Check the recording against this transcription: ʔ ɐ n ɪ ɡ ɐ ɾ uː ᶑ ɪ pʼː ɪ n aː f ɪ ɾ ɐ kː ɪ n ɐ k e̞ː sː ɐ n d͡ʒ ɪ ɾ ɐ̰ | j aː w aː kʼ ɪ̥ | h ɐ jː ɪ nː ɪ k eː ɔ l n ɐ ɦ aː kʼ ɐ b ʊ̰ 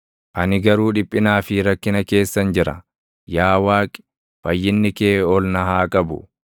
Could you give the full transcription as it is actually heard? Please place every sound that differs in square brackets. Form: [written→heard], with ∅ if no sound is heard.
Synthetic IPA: ʔ ɐ n ɪ ɡ ɐ ɾ uː ᶑ ɪ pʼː ɪ n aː f ɪ ɾ ɐ kː ɪ n ɐ k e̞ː sː ɐ n d͡ʒ ɪ ɾ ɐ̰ | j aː w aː kʼ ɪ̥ | [h→f] ɐ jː ɪ nː ɪ k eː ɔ l n ɐ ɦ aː kʼ ɐ b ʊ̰

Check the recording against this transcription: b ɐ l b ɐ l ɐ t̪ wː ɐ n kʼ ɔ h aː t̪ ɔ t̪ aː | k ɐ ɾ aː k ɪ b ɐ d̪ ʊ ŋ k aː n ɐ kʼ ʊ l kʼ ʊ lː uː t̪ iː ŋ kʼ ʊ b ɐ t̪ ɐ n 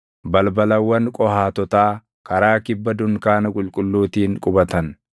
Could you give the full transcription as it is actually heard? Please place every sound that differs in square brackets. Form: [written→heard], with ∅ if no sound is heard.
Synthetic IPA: b ɐ l b ɐ l ɐ [t̪→∅] wː ɐ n kʼ ɔ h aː t̪ ɔ t̪ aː | k ɐ ɾ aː k ɪ [b→bː] ɐ d̪ ʊ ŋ k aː n ɐ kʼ ʊ l kʼ ʊ lː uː t̪ iː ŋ kʼ ʊ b ɐ t̪ ɐ n

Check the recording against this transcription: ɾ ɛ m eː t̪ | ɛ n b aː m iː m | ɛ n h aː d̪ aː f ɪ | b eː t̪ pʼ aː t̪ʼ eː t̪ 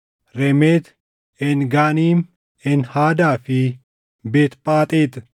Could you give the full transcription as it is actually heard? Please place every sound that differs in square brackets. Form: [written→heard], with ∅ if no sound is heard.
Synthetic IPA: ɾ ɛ m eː t̪ | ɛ n [b→ɡ] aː [m→n] iː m | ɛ n h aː d̪ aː f ɪ | b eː t̪ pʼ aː t̪ʼ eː t̪

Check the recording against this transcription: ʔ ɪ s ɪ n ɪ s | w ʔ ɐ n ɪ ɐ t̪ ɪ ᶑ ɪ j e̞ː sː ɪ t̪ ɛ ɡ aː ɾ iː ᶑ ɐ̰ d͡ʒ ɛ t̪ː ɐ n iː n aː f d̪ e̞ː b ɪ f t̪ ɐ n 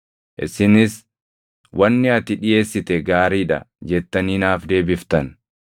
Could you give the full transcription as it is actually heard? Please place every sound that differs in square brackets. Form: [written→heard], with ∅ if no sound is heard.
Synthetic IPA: ʔ ɪ s ɪ n ɪ s | w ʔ ɐ [n→nː] ɪ ɐ t̪ ɪ ᶑ ɪ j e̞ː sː ɪ t̪ ɛ ɡ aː ɾ iː ᶑ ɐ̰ d͡ʒ ɛ t̪ː ɐ n iː n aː f d̪ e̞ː b ɪ f t̪ ɐ n

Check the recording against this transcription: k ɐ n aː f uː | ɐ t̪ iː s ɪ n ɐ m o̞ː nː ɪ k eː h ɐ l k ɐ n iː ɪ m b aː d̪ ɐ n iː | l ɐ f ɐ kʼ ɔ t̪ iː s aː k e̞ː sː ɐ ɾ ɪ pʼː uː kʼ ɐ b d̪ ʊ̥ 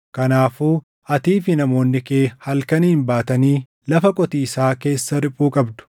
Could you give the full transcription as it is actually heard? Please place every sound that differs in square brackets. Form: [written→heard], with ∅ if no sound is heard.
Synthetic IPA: k ɐ n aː f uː | ɐ t̪ iː [s→f] ɪ n ɐ m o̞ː nː ɪ k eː h ɐ l k ɐ n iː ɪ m b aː [d̪→t̪] ɐ n iː | l ɐ f ɐ kʼ ɔ t̪ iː s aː k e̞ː sː ɐ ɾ ɪ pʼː uː kʼ ɐ b d̪ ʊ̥

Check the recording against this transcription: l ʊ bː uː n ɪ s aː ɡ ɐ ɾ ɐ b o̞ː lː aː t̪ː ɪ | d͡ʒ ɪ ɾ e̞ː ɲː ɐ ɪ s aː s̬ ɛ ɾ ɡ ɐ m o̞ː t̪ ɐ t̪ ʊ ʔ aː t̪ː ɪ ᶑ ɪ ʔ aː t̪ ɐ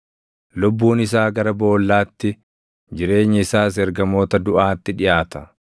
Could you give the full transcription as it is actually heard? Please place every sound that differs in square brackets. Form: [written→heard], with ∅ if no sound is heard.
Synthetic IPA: l ʊ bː uː n ɪ s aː ɡ ɐ ɾ ɐ b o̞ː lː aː t̪ː ɪ | d͡ʒ ɪ ɾ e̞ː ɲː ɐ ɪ s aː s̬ ɛ ɾ ɡ ɐ m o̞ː t̪ ɐ [t̪→d̪] ʊ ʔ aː t̪ː ɪ ᶑ ɪ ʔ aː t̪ ɐ

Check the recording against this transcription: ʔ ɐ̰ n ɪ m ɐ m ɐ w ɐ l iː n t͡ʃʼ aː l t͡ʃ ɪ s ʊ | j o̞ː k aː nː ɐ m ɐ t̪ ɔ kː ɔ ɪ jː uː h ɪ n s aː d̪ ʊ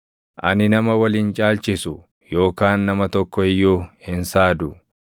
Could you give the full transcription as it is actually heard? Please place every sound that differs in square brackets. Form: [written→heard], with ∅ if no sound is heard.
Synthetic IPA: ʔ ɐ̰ n ɪ [m→n] ɐ m ɐ w ɐ l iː n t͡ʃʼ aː l t͡ʃ ɪ s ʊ | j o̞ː k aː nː ɐ m ɐ t̪ ɔ kː ɔ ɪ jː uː h ɪ n s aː d̪ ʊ

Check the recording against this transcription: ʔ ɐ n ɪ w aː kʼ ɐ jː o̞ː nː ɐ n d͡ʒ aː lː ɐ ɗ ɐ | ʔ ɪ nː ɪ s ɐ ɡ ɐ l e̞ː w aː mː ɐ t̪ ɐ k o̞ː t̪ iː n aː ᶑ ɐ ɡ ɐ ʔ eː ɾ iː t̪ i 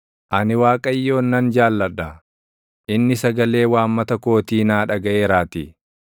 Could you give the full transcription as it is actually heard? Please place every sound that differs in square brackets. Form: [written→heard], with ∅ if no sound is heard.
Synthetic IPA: ʔ ɐ n ɪ w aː kʼ ɐ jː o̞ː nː ɐ n d͡ʒ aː lː ɐ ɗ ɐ | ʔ ɪ nː ɪ s ɐ ɡ ɐ l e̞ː w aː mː ɐ t̪ ɐ k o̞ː t̪ iː n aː ᶑ ɐ ɡ ɐ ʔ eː ɾ [iː→aː] t̪ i

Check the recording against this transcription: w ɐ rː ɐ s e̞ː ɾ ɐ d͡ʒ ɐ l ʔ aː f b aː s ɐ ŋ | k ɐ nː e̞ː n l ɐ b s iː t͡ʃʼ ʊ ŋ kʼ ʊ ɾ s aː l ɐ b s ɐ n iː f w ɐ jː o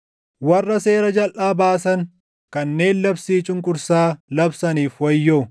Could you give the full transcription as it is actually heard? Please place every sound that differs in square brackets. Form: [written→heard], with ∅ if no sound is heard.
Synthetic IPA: w ɐ rː ɐ s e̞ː ɾ ɐ d͡ʒ ɐ l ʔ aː [f→∅] b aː s ɐ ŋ | k ɐ nː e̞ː n l ɐ b s iː t͡ʃʼ ʊ ŋ kʼ ʊ ɾ s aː l ɐ b s ɐ n iː f w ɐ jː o

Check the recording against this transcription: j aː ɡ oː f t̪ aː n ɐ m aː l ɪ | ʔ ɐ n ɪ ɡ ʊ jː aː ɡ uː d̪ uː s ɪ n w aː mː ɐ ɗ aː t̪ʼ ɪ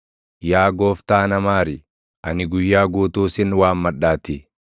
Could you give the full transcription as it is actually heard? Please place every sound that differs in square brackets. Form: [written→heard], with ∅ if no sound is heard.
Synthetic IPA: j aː ɡ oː f t̪ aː n ɐ m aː [l→ɾ] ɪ | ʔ ɐ n ɪ ɡ ʊ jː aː ɡ uː [d̪→t̪] uː s ɪ n w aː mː ɐ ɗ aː [t̪ʼ→t̪] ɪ

